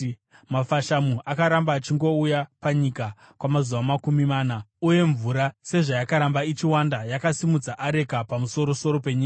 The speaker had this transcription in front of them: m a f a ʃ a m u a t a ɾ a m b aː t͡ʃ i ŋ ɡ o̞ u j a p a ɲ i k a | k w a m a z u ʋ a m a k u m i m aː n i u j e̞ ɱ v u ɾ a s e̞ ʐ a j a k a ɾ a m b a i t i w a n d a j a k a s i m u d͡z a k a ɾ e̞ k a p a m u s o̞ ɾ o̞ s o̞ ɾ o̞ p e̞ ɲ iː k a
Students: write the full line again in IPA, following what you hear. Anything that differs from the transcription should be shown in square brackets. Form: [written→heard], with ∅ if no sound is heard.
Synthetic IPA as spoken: m a f a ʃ a m u a [t→k] a ɾ a m b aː t͡ʃ i ŋ ɡ o̞ u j a p a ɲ i k a | k w a m a z u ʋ a m a k u m i m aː n [i→a] u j e̞ ɱ v u ɾ a s e̞ ʐ a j a k a ɾ a m b a i [t→t͡ʃ] i w a n d a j a k a s i m u d͡z a [k→ʔ] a ɾ e̞ k a p a m u s o̞ ɾ o̞ s o̞ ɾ o̞ p e̞ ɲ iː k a